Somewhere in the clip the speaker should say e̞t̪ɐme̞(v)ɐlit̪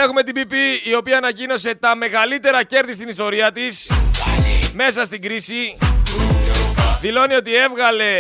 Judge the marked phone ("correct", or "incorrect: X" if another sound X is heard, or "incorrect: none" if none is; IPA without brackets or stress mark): incorrect: ɣ